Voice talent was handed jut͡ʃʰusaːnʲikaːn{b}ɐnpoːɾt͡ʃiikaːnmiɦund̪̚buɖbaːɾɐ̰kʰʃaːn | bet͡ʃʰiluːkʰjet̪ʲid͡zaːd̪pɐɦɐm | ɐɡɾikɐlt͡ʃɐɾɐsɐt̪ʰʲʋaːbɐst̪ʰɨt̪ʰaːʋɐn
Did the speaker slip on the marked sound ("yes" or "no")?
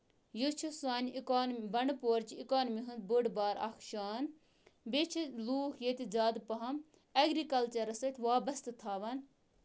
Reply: no